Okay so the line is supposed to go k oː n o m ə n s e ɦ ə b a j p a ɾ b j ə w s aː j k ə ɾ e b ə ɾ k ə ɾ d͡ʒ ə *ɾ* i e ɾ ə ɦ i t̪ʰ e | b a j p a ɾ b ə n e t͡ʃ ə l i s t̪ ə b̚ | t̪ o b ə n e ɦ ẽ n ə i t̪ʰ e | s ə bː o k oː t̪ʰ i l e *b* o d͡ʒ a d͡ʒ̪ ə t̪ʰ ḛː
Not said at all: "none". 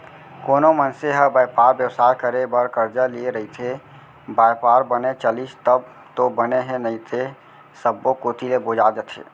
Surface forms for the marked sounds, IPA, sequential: l, b

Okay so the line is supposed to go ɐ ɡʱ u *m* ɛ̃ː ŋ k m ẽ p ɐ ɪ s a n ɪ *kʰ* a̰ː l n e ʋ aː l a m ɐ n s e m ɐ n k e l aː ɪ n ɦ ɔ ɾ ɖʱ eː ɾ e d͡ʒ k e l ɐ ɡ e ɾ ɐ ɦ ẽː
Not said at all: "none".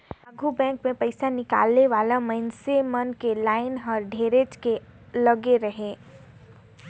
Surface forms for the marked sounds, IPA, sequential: b, k

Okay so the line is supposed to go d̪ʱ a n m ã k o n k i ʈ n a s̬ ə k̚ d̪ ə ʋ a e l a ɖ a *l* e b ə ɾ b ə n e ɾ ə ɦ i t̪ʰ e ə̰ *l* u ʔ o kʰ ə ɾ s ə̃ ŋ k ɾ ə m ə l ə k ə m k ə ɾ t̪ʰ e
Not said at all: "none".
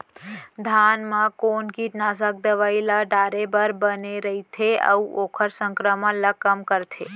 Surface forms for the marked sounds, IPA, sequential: ɾ, none

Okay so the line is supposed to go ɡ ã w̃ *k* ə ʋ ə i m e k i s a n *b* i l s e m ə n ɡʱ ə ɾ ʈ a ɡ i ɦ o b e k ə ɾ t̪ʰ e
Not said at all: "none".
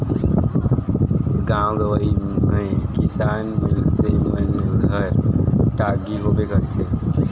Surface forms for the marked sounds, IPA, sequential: ɡ, m

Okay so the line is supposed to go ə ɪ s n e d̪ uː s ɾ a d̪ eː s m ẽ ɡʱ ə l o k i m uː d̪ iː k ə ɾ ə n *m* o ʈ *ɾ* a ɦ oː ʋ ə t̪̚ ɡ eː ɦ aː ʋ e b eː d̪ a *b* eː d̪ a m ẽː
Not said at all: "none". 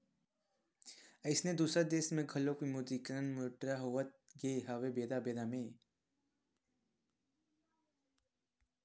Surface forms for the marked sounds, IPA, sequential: m, ɾ, b

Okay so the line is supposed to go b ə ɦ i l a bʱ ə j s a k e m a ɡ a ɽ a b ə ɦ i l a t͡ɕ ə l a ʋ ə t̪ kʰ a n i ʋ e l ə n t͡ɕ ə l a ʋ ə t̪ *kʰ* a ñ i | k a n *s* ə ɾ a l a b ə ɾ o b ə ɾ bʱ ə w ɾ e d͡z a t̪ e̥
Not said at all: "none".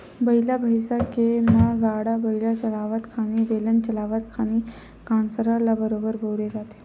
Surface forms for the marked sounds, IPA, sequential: kʰ, s

